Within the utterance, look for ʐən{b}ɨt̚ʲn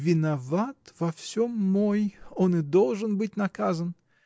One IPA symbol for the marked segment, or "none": b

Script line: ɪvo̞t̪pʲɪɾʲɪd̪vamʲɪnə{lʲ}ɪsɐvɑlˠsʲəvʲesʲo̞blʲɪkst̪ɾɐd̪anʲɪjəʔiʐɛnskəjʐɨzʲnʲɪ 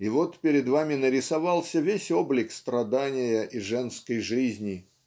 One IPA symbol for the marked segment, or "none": ɾʲ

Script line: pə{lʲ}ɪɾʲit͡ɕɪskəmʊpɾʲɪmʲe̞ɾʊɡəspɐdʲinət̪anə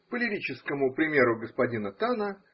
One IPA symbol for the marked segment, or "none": lʲ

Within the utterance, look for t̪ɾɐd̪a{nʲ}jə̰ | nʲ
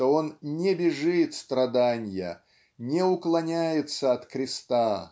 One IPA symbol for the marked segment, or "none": nʲ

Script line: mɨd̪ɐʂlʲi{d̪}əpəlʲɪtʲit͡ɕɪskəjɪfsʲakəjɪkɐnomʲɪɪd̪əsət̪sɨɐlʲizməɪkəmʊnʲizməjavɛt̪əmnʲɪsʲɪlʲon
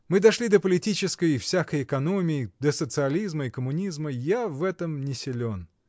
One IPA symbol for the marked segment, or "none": d̪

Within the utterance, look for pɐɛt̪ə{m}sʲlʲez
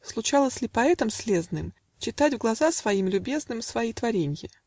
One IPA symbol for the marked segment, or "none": m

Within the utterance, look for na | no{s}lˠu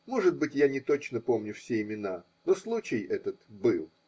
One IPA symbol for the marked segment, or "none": s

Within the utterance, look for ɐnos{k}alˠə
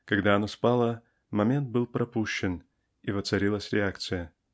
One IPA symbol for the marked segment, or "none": p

